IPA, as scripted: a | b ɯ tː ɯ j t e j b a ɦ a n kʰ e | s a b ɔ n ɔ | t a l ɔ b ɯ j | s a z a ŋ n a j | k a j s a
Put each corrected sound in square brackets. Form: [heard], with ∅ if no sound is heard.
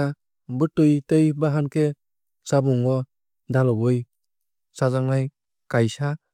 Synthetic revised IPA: a | b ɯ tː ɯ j t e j b a ɦ a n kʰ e | s a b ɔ [ŋ] ɔ | [d] a l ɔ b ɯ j | s a z a ŋ n a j | k a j s a